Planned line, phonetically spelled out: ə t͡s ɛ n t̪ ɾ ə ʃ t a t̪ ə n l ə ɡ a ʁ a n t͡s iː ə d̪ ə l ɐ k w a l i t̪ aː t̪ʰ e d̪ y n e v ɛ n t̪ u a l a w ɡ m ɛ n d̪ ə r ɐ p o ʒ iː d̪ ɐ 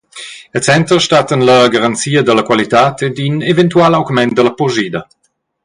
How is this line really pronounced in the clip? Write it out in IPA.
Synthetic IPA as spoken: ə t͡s ɛ n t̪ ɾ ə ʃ t a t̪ ə n l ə ɡ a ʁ a n t͡s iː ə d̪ ə l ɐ k w a l i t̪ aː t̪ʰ e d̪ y n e v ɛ n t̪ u a l a w ɡ m ɛ n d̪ ə l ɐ p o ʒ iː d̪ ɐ